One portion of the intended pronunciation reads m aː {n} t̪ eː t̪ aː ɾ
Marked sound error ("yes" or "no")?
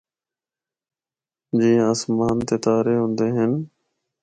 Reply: no